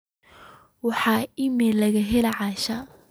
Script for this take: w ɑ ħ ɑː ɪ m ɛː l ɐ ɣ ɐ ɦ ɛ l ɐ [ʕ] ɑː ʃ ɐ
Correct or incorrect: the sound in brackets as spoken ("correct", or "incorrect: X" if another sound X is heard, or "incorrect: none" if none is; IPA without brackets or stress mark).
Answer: correct